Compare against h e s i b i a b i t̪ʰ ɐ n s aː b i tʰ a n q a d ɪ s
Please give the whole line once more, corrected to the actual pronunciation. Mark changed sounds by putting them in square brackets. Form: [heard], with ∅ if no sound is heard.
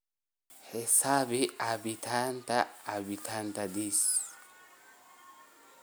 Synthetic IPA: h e s [a] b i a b i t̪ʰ [a] n [t] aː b i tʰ a n [t] a d [i] s